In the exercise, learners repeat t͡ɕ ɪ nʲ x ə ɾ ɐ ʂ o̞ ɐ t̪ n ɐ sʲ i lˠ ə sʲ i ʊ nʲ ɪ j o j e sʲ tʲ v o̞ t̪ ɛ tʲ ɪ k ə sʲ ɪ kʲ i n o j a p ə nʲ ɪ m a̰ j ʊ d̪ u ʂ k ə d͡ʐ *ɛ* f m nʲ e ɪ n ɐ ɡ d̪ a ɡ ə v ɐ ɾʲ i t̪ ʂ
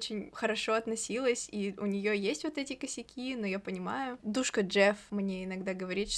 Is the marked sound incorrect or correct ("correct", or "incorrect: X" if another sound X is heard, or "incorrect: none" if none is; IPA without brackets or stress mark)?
correct